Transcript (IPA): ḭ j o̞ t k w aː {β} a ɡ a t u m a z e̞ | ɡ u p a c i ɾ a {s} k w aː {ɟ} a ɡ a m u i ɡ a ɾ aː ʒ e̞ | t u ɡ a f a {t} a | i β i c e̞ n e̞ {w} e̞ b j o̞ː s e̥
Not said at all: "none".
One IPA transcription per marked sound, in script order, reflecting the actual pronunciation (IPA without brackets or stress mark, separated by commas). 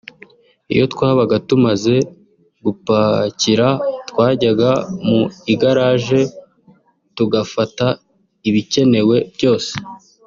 β, t, ɟ, t, w